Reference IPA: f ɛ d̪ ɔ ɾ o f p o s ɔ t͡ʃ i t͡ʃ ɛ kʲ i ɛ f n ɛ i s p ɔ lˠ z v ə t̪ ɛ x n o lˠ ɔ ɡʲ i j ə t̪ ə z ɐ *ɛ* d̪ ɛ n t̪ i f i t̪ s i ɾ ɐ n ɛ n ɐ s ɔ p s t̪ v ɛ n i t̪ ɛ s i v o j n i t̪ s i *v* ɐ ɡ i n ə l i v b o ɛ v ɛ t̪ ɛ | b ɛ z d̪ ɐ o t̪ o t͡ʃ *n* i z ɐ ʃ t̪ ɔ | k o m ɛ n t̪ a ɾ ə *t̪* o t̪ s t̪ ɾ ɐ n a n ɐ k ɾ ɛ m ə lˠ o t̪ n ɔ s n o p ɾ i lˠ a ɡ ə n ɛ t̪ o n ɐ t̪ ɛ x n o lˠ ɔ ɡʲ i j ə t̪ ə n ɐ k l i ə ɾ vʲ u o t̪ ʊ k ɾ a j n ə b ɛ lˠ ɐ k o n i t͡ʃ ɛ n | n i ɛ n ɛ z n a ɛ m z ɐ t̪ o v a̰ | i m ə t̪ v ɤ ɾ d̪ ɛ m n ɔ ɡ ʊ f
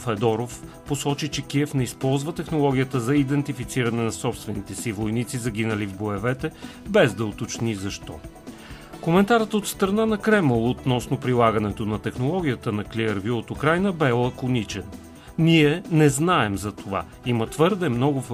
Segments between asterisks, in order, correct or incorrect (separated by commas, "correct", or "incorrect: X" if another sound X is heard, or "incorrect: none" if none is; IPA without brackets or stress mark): incorrect: i, incorrect: z, correct, correct